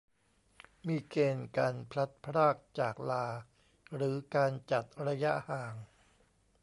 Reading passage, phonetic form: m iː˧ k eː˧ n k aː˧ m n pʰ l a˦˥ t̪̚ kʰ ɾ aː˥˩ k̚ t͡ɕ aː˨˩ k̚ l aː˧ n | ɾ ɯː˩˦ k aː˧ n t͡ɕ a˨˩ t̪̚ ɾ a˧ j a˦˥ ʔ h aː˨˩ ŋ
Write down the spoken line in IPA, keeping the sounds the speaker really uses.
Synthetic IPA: m iː˧ k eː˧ n k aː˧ n pʰ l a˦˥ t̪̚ pʰ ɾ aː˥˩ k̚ t͡ɕ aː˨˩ k̚ l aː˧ | ɾ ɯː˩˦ k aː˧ n t͡ɕ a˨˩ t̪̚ ɾ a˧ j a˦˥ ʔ h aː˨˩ ŋ